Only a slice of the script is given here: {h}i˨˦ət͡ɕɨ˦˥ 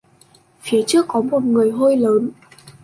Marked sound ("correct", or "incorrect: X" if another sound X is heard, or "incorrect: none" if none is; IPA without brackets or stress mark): incorrect: f